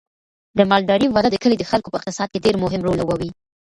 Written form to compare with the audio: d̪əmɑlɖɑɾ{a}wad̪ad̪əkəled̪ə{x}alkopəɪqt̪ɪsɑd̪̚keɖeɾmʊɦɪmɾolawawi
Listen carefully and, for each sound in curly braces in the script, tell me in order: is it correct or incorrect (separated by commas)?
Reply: incorrect, correct